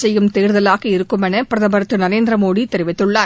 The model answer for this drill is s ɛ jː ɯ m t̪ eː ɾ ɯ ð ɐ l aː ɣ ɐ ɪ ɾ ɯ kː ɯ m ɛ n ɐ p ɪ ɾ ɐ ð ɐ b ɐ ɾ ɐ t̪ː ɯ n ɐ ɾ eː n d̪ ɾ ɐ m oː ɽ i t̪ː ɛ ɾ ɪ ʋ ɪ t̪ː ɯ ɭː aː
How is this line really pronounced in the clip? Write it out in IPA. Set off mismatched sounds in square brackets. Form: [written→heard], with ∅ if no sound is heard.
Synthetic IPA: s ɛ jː ɯ m t̪ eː ɾ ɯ ð ɐ l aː ɣ ɐ ɪ ɾ ɯ kː ɯ m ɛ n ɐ p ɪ ɾ ɐ ð ɐ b ɐ ɾ ɐ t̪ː ɯ n ɐ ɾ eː n d̪ ɾ ɐ m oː ɽ i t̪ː ɛ ɾ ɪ ʋ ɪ t̪ː ɯ ɭː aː